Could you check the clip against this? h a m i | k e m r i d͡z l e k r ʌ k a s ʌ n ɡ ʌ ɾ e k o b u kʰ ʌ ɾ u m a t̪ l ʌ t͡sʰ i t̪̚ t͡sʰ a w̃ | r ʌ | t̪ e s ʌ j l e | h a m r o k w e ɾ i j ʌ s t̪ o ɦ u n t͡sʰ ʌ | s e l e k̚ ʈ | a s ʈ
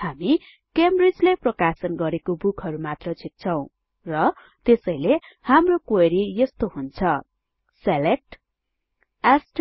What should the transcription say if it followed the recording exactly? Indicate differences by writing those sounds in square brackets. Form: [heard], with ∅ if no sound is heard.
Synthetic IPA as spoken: h a m i | k e m r i d͡z l e [p] r ʌ k a s ʌ n ɡ ʌ ɾ e k o b u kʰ ʌ ɾ u m a t̪ [r] ʌ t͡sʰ i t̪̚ t͡sʰ [ʌ] w̃ | r ʌ | t̪ e s ʌ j l e | h a m r o k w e ɾ i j ʌ s t̪ o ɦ u n t͡sʰ ʌ | s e l e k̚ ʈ | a s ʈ